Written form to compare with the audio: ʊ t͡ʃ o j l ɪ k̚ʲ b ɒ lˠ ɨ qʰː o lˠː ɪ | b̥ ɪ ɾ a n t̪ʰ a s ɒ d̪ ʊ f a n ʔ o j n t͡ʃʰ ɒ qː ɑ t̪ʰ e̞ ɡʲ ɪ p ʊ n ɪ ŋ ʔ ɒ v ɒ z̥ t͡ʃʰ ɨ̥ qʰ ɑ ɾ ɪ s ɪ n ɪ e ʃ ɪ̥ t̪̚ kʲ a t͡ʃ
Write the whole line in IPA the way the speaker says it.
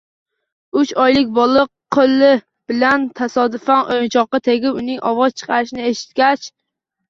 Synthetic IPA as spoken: ʊ t͡ʃ ɒ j l ɪ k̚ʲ b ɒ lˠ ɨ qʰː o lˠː ɪ | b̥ ɪ l a n t̪ʰ a s ɒ d̪ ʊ f a n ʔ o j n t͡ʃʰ ɒ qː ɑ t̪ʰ e̞ ɡʲ ɪ p ʊ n ɪ ŋ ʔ ɒ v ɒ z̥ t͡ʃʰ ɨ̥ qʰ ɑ ɾ ɪ ʃ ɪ n ɪ e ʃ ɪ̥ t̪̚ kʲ a t͡ʃ